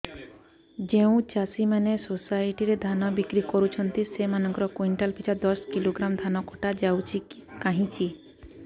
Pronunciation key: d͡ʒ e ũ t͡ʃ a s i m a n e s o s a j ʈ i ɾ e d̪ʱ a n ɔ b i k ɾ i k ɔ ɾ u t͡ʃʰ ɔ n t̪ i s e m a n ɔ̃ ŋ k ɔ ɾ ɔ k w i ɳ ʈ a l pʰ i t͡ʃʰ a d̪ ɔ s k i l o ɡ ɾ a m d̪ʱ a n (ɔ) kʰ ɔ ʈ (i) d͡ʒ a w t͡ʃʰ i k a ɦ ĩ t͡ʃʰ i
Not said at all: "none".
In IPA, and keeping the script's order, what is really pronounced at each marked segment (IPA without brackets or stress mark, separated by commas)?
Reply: ɔ, a